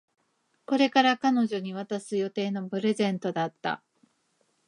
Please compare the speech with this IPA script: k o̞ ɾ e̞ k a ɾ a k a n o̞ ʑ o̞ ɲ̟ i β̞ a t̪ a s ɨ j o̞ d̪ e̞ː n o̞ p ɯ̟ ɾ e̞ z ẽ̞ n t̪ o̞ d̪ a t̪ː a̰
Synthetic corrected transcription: k o̞ ɾ e̞ k a ɾ a k a n o̞ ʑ o̞ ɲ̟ i β̞ a t̪ a s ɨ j o̞ t̪ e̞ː n o̞ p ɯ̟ ɾ e̞ z ẽ̞ n t̪ o̞ d̪ a t̪ː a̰